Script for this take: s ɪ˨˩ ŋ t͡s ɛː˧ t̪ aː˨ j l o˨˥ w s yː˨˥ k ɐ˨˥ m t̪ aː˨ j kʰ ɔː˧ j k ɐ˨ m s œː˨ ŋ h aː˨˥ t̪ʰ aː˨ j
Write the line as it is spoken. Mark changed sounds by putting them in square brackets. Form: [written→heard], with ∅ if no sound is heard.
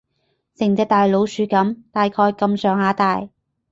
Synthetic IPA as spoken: s ɪ˨˩ ŋ t͡s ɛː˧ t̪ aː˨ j l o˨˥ w s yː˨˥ k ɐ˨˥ m t̪ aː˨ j kʰ ɔː˧ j k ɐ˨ m s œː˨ ŋ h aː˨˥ [t̪ʰ→t̪] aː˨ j